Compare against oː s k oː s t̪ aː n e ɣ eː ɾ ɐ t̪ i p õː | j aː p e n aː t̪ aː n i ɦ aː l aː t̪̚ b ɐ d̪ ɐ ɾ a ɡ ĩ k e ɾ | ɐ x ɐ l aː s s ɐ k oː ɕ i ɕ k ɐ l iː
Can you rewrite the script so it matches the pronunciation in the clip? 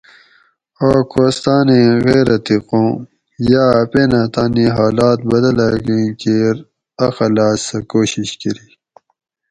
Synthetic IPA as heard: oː k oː s t̪ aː n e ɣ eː ɾ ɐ t̪ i q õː | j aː p e n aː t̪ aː n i ɦ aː l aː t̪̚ b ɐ d̪ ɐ l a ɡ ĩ k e ɾ | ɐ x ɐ l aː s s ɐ k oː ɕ i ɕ k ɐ ɾ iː